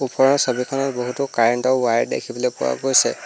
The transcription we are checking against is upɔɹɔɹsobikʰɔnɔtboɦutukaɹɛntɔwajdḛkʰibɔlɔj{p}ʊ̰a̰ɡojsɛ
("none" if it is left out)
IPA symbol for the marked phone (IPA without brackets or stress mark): p